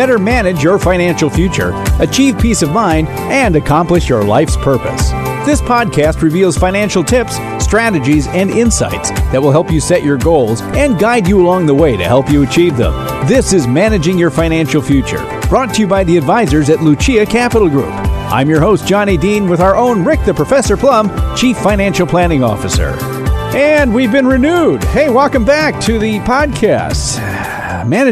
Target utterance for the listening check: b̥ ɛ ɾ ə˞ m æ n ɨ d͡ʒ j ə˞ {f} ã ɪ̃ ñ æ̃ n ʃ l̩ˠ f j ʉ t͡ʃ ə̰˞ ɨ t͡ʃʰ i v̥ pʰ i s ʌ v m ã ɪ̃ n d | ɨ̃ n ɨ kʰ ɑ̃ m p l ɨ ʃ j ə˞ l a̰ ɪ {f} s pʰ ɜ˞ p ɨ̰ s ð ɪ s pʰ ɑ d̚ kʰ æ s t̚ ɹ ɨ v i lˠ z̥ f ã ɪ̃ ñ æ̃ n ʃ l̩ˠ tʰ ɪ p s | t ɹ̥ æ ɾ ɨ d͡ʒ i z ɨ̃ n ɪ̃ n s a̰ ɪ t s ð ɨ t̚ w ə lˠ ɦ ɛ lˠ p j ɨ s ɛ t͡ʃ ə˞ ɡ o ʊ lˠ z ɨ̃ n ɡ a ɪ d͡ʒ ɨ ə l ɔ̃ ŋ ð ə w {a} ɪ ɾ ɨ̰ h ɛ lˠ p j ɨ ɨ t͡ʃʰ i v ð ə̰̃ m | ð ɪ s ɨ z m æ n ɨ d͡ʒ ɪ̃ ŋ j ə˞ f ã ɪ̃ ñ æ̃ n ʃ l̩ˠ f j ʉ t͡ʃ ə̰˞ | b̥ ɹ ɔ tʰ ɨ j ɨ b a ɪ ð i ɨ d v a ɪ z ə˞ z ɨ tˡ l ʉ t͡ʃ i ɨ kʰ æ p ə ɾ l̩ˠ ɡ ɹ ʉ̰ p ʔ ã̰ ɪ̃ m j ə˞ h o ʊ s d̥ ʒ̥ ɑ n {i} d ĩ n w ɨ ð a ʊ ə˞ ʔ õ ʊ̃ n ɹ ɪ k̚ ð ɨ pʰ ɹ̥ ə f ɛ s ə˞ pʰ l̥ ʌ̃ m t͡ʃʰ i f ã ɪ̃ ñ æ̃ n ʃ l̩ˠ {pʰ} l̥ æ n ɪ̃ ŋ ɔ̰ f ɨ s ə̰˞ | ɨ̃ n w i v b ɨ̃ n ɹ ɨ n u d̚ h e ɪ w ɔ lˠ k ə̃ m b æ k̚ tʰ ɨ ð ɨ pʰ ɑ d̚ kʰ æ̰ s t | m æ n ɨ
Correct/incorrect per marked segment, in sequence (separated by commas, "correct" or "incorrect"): correct, correct, incorrect, correct, correct